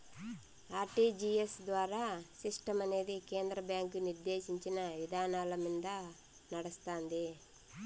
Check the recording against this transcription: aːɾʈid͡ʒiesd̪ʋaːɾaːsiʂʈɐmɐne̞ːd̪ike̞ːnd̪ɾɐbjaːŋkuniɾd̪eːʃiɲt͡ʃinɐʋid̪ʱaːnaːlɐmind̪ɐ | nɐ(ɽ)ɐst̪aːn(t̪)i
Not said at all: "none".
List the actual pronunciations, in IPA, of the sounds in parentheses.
ɽ, d̪

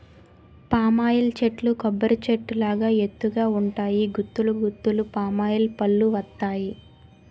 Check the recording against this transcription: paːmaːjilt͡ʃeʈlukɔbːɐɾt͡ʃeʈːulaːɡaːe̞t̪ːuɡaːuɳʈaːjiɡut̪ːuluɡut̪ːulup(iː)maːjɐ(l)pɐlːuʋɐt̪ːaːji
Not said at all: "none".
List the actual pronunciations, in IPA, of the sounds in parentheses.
aː, l

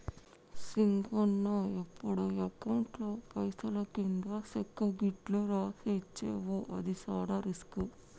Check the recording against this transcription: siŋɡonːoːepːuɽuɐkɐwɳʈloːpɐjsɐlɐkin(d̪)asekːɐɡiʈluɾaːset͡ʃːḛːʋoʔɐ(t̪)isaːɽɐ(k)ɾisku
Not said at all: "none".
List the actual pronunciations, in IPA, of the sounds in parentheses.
d̪, d̪, none

